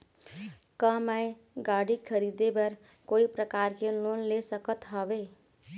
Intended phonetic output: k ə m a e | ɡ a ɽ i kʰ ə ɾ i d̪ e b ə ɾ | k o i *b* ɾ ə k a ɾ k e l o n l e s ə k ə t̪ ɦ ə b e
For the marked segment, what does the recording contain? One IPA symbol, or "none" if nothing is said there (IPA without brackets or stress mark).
p